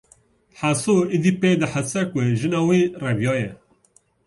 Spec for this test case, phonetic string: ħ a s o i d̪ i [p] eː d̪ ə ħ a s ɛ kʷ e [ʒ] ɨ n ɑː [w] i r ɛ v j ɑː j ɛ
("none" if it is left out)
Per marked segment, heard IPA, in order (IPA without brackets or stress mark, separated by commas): p, ʒ, w